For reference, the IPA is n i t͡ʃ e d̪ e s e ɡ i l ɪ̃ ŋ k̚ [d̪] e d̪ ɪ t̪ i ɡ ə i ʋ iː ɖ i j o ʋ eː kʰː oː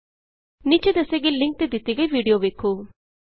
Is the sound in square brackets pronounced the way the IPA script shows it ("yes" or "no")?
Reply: no